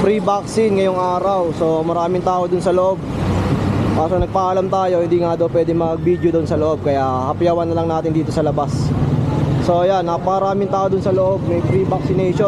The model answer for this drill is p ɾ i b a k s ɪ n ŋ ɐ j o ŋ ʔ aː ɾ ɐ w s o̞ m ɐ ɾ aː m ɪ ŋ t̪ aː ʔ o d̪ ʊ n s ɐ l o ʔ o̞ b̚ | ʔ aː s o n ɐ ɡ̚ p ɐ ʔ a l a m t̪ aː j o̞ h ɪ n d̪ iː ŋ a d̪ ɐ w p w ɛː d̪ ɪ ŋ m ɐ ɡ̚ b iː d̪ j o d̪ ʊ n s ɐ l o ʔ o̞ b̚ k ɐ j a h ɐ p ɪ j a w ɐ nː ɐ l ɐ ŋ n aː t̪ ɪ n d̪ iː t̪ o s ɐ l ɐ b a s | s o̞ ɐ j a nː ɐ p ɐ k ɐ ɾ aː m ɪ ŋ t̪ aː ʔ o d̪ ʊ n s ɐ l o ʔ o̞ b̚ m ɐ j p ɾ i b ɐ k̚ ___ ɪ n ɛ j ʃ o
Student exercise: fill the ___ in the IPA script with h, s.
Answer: s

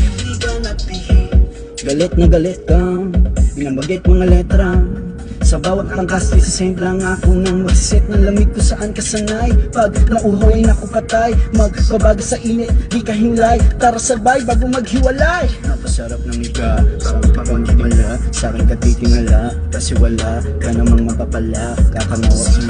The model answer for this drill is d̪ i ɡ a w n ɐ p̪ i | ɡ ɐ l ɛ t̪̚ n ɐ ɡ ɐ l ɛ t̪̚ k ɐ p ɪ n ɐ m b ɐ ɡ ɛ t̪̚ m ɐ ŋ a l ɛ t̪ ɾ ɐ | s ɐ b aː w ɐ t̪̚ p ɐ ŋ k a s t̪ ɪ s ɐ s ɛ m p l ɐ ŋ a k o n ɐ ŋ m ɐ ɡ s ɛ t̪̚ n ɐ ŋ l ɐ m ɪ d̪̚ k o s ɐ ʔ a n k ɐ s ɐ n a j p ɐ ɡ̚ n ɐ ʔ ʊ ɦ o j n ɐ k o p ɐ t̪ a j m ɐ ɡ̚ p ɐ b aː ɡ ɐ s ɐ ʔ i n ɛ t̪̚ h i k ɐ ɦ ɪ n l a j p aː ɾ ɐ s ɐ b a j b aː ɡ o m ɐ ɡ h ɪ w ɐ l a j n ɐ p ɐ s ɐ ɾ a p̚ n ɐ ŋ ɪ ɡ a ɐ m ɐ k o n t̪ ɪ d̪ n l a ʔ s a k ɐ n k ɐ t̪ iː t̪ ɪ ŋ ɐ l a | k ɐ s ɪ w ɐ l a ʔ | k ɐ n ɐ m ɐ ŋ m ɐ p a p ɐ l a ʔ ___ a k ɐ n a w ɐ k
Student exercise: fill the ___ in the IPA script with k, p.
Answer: k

